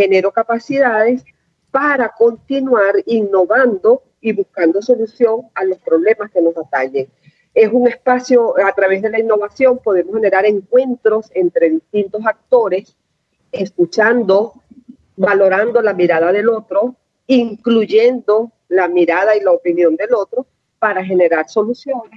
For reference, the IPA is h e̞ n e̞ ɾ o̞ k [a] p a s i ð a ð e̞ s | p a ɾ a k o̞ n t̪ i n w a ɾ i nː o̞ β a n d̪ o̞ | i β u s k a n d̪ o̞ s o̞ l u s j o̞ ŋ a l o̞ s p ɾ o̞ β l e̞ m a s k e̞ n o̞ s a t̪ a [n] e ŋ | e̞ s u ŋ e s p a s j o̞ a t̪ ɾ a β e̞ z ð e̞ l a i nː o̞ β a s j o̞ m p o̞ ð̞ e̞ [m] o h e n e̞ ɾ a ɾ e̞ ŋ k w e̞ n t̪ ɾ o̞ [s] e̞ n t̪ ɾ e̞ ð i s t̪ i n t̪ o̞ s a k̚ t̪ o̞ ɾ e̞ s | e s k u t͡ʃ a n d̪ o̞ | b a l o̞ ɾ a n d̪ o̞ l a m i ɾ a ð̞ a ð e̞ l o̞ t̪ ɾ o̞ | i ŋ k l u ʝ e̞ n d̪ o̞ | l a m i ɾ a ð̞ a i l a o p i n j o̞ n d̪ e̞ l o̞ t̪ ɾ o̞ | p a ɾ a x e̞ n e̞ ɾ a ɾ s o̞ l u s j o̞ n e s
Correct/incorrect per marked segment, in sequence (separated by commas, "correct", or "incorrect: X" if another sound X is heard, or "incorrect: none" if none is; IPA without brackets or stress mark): correct, incorrect: ɲ, correct, correct